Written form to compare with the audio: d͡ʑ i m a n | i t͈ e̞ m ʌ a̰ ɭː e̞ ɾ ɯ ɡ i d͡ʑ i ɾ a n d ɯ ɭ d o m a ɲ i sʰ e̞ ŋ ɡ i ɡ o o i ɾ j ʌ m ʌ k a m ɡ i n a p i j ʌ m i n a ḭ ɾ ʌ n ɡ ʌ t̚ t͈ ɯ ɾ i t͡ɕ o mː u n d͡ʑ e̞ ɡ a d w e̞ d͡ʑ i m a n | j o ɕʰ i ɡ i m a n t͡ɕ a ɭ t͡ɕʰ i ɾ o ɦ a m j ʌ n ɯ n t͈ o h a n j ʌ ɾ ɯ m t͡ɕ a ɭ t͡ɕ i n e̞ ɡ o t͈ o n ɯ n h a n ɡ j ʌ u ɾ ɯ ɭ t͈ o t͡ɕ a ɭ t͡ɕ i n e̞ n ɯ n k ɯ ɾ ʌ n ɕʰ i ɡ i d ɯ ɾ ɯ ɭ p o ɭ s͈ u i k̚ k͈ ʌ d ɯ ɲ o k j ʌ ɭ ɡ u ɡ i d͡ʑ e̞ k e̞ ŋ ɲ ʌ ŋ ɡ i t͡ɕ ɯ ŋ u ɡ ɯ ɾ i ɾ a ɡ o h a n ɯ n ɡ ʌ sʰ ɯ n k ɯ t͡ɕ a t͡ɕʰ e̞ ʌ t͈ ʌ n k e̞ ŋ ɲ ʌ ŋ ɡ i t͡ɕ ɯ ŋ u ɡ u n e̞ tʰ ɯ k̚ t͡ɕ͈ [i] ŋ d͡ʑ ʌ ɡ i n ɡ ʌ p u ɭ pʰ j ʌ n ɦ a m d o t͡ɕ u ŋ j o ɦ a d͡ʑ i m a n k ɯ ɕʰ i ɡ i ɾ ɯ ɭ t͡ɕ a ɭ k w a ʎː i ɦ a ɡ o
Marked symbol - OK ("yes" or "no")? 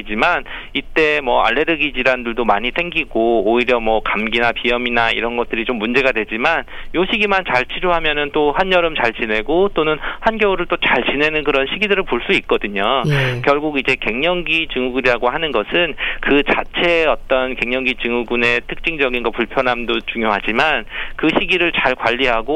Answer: yes